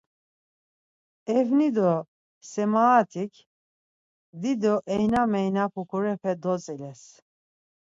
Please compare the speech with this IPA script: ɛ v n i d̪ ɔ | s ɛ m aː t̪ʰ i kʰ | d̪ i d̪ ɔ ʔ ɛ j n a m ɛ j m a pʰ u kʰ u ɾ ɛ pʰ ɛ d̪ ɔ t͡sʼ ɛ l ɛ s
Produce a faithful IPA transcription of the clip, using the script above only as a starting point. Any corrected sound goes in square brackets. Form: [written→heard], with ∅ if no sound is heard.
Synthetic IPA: ɛ v n i d̪ ɔ | s ɛ m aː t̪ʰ i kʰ | d̪ i d̪ ɔ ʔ ɛ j n a m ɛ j [m→n] a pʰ u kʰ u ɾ ɛ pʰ ɛ d̪ ɔ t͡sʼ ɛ l ɛ s